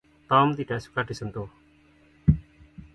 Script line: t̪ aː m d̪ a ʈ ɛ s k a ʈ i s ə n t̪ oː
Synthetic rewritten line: t̪ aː m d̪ i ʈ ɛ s k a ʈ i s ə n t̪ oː